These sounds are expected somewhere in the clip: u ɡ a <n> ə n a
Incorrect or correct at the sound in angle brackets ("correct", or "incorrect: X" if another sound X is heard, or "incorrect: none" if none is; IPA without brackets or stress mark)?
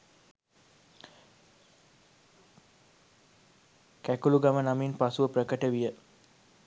incorrect: m